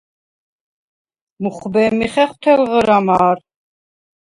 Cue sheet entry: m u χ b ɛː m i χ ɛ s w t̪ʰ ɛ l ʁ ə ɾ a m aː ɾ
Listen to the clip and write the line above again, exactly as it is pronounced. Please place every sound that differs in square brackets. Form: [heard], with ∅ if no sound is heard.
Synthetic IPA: m u χ b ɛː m i χ ɛ [χ] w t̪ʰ ɛ l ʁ ə ɾ a m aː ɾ